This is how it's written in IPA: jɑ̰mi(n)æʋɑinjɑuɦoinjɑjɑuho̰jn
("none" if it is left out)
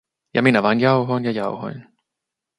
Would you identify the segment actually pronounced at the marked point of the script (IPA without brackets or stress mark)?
n